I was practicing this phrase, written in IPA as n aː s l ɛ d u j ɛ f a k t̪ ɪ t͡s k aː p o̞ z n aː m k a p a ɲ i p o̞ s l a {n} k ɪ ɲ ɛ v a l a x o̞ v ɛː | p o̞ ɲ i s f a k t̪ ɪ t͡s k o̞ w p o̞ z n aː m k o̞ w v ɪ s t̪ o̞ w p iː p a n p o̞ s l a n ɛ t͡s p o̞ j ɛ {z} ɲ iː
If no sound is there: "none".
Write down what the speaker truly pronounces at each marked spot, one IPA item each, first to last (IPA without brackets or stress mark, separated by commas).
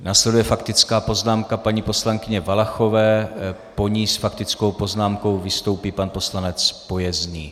ŋ, z